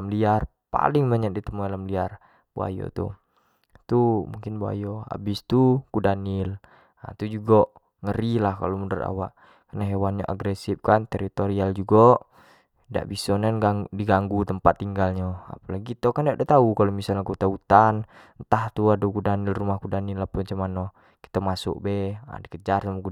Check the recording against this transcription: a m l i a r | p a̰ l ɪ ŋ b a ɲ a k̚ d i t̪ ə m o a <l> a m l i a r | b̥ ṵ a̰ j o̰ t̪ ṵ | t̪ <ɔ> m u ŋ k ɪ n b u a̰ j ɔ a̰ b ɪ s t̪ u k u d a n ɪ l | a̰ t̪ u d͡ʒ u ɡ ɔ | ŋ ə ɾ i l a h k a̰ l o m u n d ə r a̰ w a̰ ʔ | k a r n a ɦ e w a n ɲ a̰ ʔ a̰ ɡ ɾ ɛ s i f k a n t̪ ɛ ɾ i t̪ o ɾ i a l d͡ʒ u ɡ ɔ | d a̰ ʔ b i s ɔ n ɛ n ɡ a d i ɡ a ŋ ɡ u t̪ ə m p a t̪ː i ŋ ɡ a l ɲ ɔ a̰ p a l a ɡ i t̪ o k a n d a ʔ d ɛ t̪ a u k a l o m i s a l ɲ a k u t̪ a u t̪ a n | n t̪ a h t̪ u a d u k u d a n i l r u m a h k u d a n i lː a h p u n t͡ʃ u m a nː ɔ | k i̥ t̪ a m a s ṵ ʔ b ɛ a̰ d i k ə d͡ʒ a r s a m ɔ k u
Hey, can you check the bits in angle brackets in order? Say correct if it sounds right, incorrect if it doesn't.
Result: correct, incorrect

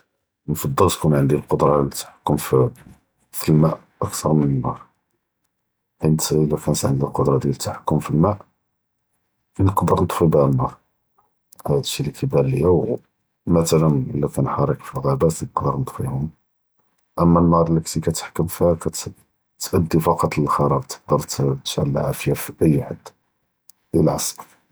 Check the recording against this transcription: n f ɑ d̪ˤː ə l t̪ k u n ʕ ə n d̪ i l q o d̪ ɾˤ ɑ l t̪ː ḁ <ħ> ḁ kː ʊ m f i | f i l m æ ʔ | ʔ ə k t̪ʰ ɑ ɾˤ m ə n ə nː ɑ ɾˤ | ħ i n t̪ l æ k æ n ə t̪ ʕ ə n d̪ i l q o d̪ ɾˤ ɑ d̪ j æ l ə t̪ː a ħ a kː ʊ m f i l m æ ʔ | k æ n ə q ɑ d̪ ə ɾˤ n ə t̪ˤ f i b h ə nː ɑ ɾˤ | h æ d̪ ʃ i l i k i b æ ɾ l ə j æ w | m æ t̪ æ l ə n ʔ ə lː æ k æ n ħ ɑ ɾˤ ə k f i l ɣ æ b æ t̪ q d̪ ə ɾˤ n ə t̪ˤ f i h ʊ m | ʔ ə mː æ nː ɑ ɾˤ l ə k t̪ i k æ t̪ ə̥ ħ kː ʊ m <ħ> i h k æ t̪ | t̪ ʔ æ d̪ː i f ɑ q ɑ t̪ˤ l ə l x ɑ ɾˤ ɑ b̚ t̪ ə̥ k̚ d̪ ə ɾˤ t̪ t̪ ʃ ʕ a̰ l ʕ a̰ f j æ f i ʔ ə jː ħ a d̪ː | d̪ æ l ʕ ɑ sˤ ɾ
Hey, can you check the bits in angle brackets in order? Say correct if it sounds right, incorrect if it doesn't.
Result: correct, incorrect

